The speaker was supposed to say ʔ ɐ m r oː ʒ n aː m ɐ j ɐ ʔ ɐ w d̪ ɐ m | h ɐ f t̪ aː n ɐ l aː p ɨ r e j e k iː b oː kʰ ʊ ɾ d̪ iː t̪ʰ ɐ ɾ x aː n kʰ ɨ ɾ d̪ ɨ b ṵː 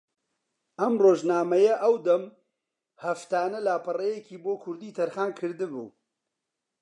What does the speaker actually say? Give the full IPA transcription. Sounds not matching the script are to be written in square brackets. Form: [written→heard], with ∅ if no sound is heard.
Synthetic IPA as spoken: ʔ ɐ m r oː ʒ n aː m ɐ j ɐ ʔ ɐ w d̪ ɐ m | h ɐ f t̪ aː n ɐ l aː p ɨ r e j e k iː b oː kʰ ʊ ɾ d̪ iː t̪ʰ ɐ ɾ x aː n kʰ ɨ ɾ d̪ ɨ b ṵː